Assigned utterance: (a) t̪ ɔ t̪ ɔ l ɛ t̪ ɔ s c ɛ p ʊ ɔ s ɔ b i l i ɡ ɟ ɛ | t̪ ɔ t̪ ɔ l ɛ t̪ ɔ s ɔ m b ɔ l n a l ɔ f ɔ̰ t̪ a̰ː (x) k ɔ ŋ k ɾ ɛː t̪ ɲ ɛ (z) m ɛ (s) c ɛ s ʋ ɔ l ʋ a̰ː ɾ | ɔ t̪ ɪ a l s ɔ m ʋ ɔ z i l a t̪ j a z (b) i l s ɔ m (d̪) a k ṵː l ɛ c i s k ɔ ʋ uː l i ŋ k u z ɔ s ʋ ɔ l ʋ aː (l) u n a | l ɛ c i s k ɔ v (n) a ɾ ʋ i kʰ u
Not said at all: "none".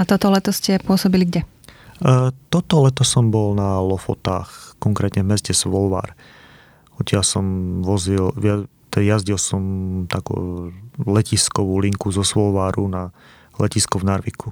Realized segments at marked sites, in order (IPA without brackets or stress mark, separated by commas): a, x, v, s, ɟ, t̪, ɾ, n